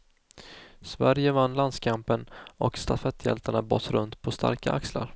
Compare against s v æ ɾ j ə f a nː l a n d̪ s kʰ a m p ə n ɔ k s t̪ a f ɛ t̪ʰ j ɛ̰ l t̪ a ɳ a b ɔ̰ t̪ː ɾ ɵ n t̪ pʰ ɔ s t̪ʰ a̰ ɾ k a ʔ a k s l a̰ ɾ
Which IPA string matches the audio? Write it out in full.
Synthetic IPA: s v æ ɾ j ə v a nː l a n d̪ s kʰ a m p ə n ɔ k s t̪ a f ɛ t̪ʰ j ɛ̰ l t̪ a ɳ a b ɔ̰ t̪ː ɾ ɵ n t̪ pʰ ɔ s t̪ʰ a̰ ɾ k a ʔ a k s l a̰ ɾ